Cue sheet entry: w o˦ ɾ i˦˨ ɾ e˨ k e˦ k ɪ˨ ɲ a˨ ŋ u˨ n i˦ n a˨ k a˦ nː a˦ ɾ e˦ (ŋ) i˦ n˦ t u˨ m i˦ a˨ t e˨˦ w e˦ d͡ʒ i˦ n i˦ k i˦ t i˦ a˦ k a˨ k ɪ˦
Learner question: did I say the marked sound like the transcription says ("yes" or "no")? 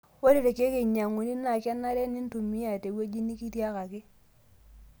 no